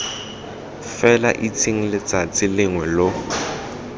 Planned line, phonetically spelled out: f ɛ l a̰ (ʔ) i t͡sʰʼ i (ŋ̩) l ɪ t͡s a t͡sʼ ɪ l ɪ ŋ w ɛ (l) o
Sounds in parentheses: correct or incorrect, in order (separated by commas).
correct, correct, correct